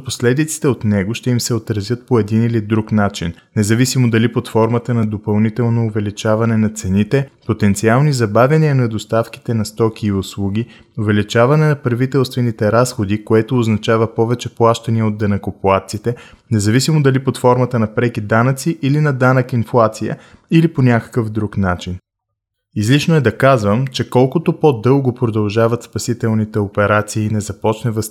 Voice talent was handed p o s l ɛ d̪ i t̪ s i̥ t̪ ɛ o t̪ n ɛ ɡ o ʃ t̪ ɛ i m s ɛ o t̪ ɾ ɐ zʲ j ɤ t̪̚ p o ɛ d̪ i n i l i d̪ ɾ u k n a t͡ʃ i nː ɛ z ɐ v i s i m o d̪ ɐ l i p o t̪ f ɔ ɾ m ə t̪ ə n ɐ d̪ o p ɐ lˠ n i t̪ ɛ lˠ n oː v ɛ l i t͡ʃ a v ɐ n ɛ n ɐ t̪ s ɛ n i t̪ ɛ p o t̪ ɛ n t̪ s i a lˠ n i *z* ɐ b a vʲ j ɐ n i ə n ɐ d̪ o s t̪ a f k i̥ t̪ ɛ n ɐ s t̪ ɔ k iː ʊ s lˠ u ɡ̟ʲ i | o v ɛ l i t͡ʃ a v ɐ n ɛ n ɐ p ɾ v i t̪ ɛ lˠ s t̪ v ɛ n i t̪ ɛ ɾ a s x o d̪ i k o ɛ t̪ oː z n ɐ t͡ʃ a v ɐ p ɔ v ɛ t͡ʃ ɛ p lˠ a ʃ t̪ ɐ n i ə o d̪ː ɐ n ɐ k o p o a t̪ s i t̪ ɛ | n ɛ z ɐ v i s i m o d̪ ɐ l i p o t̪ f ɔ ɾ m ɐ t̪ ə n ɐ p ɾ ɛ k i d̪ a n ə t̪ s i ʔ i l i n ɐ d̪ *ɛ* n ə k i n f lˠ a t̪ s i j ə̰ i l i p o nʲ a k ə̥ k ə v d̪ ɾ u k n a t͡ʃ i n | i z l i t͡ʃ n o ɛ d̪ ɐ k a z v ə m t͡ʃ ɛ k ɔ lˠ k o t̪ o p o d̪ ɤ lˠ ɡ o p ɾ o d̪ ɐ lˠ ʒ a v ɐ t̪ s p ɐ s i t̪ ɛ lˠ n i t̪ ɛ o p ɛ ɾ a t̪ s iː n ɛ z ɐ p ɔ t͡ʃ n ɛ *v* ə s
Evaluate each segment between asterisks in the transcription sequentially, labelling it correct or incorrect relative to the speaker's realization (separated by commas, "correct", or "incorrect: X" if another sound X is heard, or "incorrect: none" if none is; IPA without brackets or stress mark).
correct, incorrect: a, correct